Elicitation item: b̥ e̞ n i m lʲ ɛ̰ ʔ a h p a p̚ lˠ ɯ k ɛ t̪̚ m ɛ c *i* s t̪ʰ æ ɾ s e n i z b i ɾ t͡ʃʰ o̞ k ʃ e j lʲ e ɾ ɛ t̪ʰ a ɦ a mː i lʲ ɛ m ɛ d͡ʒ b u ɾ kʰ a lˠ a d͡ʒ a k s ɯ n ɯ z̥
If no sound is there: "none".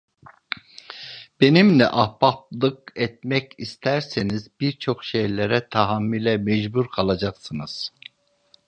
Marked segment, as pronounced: i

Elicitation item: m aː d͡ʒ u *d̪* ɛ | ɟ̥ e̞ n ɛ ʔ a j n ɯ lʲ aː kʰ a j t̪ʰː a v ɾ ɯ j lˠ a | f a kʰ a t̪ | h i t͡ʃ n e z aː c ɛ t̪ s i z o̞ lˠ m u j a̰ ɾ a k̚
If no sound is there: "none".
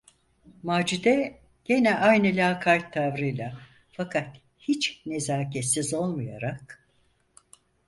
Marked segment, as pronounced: d̪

